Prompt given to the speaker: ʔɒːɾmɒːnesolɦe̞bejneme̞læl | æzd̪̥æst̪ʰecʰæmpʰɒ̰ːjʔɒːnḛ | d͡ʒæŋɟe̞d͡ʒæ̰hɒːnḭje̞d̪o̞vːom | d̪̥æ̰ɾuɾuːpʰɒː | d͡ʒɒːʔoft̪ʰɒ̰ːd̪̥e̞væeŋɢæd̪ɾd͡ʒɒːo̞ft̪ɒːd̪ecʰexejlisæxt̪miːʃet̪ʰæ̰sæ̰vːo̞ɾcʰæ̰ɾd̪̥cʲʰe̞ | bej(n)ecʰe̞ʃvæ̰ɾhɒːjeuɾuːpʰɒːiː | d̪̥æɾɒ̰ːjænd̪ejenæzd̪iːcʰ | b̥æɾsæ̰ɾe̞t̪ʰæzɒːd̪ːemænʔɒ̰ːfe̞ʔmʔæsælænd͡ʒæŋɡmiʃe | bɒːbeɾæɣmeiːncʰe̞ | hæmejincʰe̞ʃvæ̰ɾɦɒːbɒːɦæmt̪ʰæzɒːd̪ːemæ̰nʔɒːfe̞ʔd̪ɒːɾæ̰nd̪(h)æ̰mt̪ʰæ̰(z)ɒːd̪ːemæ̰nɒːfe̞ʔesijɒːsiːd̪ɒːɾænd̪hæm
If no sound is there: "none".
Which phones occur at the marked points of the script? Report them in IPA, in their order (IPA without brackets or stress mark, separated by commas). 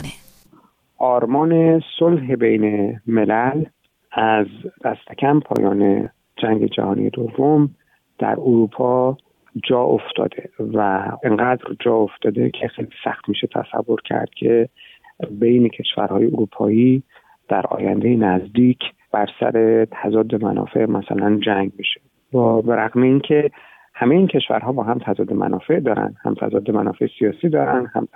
n, h, z